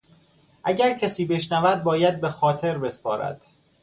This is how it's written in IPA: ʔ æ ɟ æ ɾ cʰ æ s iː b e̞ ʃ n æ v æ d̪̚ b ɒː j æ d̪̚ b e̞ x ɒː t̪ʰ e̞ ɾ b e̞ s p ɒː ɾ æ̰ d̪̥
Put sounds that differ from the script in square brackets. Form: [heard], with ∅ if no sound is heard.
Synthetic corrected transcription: ʔ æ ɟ æ ɾ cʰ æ s iː b e̞ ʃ n æ v æ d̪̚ b ɒː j æ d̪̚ b e̞ x ɒː t̪ʰ e̞ ɾ b e̞ s p ɒː ɾ æ̰ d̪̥